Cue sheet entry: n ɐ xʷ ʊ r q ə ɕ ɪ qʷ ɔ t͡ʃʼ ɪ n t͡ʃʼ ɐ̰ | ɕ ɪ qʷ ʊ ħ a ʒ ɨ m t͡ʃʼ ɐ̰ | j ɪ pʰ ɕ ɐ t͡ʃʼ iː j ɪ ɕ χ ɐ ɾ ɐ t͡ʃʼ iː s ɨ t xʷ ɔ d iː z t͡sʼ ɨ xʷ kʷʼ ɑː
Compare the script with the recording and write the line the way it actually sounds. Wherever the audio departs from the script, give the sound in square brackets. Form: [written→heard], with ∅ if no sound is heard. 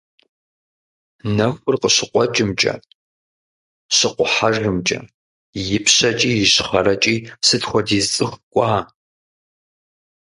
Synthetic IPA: n ɐ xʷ ʊ r q ə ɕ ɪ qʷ ɔ t͡ʃʼ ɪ [n→m] t͡ʃʼ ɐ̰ | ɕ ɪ qʷ ʊ ħ a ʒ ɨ m t͡ʃʼ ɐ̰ | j ɪ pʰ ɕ ɐ t͡ʃʼ iː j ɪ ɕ χ ɐ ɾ ɐ t͡ʃʼ iː s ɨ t xʷ ɔ d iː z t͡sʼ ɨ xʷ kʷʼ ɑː